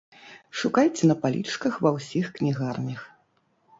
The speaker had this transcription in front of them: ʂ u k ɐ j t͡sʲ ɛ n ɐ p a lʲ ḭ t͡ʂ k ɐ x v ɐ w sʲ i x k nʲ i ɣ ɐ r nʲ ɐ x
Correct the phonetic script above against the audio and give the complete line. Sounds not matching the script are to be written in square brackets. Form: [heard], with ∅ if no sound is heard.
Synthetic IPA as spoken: ʂ u k [a] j t͡sʲ ɛ n ɐ p a lʲ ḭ t͡ʂ k ɐ x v ɐ w sʲ i x k nʲ i ɣ [a] r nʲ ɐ x